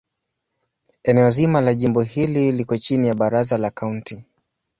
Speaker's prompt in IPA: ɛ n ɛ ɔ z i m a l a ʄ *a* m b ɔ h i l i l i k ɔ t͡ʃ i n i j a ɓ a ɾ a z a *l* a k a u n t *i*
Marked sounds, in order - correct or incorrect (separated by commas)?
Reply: incorrect, correct, correct